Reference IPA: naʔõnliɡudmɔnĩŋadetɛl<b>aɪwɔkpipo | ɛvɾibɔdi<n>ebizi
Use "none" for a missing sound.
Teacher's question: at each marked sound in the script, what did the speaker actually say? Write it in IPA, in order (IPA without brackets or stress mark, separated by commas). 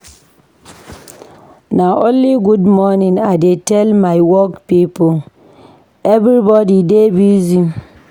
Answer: m, d